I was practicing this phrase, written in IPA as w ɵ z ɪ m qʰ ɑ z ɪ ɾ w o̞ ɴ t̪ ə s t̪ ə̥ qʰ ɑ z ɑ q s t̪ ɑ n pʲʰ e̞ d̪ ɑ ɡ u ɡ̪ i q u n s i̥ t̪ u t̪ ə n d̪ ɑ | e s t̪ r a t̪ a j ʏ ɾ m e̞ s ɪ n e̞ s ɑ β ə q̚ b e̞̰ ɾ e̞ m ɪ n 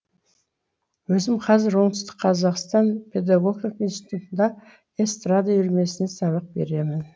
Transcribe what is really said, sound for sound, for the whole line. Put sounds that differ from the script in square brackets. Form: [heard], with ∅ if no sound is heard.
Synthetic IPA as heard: w ɵ z ɪ m qʰ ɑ z ɪ ɾ w o̞ ɴ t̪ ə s t̪ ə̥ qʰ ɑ z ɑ q s t̪ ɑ n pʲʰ e̞ d̪ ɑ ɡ [o] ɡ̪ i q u n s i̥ t̪ u t̪ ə n d̪ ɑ | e s t̪ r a [d̪] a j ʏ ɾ m e̞ s ɪ n e̞ s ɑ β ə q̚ b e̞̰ ɾ e̞ m ɪ n